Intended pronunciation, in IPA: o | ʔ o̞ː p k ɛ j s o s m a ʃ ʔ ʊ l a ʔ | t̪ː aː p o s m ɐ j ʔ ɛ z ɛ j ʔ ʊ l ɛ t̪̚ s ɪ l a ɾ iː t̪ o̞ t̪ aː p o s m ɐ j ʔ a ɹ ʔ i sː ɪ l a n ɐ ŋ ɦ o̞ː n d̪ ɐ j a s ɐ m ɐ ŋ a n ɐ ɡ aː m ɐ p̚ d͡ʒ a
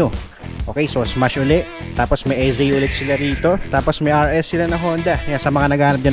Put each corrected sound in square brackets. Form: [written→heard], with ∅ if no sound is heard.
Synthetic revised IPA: o | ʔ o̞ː [p→∅] k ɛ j s o s m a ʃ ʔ ʊ l [a→ɛ] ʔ | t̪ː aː p o s m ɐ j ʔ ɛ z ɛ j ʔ ʊ l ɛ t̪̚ s ɪ l a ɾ iː t̪ o̞ t̪ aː p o s m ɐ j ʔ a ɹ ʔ [i→ɛ] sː ɪ l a n ɐ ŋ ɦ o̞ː n d̪ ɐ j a s ɐ m ɐ ŋ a n ɐ ɡ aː [m→n] ɐ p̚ d͡ʒ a

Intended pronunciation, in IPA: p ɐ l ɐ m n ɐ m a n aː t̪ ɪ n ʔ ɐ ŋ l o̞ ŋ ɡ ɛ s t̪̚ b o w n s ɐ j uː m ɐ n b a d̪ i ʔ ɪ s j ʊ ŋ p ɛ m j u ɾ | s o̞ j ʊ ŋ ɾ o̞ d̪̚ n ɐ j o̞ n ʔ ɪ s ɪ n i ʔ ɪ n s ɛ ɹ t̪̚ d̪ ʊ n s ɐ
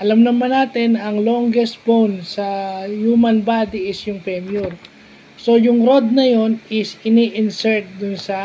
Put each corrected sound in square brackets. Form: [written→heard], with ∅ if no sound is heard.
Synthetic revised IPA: [p→ʔ] ɐ l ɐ m n ɐ m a n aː t̪ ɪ n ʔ ɐ ŋ l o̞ ŋ ɡ ɛ s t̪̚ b o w n s ɐ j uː m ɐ n b a d̪ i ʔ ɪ s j ʊ ŋ p ɛ m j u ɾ | s o̞ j ʊ ŋ ɾ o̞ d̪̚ n ɐ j o̞ n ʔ ɪ s ɪ n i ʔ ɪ n s ɛ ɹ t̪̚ d̪ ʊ n s ɐ

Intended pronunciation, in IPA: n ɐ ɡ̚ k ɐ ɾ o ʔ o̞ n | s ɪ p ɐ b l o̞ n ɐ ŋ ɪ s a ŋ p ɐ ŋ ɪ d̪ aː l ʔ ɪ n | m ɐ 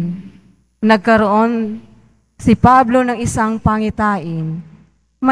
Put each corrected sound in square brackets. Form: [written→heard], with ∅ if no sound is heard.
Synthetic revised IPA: n ɐ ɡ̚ k ɐ ɾ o ʔ o̞ n | s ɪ p [ɐ→a] b l o̞ n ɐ ŋ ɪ s a ŋ p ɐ ŋ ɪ [d̪→t̪] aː [l→∅] ʔ ɪ n | m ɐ

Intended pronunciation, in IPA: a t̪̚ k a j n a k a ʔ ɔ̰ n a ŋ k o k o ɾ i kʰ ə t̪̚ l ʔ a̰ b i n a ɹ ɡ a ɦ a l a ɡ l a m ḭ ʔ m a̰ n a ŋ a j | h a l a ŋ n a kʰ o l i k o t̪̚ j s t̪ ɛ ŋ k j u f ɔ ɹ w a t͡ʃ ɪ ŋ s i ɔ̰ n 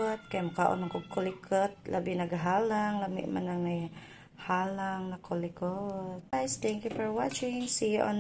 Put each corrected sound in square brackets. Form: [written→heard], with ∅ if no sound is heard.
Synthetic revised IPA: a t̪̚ k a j [n→m] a k a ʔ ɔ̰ n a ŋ k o k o [ɾ→l] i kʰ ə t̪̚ l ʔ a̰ b i n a [ɹ→∅] ɡ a ɦ a l a [ɡ→ŋ] l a m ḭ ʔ m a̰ n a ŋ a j | h a l a ŋ n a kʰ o l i k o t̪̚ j s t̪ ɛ ŋ k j u f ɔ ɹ w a t͡ʃ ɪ ŋ s i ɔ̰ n

